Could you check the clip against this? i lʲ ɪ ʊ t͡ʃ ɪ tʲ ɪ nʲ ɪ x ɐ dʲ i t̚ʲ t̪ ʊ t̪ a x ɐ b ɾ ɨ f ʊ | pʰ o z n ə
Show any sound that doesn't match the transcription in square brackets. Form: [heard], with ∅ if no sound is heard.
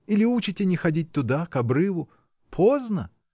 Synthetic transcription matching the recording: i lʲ ɪ [u] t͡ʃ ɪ tʲ ɪ nʲ ɪ x ɐ dʲ i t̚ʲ t̪ ʊ [d̪] a [k] ɐ b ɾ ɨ [v] ʊ | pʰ o z n ə